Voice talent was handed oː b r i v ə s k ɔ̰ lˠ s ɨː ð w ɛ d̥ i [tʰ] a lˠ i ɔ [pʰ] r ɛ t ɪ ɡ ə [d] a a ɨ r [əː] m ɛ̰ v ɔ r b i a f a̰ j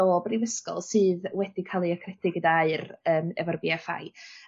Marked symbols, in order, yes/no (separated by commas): no, no, yes, yes